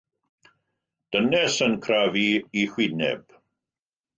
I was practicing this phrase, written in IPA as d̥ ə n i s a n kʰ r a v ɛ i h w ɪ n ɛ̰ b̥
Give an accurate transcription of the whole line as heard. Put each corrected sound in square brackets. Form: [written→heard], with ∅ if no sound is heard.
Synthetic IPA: d̥ ə n [i→ɛ] s [a→ə] n kʰ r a v [ɛ→i] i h w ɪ n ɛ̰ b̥